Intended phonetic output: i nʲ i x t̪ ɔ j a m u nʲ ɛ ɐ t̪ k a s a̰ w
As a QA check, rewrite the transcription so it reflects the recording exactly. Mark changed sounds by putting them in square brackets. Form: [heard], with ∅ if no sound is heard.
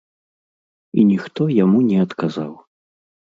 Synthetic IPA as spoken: i nʲ i x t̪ ɔ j a m u nʲ ɛ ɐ t̪ k a [z] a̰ w